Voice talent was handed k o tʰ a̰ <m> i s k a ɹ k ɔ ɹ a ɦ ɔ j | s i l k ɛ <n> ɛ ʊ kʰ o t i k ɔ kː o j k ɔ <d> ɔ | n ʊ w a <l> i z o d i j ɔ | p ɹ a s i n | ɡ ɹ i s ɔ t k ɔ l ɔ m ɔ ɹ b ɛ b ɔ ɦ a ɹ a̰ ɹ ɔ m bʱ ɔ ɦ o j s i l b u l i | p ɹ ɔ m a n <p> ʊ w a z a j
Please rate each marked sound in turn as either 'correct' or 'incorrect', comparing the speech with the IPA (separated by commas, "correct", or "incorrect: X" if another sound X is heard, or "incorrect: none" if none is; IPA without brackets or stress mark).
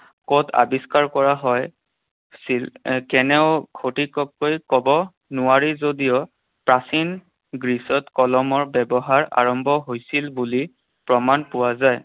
incorrect: b, correct, incorrect: b, incorrect: ɹ, correct